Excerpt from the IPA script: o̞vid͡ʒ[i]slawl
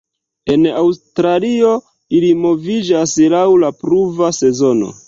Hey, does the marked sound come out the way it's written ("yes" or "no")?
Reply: no